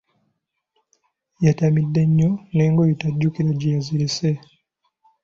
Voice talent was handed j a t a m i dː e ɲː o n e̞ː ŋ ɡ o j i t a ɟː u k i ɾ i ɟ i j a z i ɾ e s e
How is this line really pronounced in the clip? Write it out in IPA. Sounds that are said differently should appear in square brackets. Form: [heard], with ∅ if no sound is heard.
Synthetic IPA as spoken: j a t a m i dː e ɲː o n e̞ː ŋ ɡ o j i t a ɟː u k i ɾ [a] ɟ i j a z i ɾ e s e